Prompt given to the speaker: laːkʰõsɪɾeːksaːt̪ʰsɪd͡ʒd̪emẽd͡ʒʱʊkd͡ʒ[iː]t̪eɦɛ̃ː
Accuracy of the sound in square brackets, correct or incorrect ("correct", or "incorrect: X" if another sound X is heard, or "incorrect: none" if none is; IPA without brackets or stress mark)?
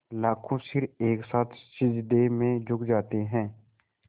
incorrect: aː